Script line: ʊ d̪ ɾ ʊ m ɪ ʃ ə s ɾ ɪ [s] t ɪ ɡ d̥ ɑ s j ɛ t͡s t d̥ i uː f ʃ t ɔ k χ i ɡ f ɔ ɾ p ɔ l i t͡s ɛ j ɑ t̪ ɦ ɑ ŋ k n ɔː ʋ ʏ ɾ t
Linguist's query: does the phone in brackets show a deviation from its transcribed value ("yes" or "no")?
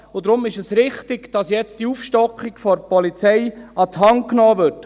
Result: yes